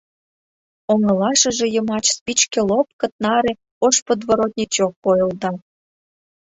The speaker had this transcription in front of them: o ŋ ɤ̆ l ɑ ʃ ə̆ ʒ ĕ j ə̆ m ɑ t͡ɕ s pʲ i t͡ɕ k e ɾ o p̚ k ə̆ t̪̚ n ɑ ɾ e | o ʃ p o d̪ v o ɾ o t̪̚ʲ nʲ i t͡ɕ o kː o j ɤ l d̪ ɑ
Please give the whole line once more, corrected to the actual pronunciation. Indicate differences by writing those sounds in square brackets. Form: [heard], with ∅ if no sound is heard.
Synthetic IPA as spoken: o ŋ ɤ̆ l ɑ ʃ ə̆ ʒ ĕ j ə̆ m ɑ t͡ɕ s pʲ i t͡ɕ k e [l] o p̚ k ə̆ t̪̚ n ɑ ɾ e | o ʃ p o d̪ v o ɾ o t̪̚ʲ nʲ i t͡ɕ o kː o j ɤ l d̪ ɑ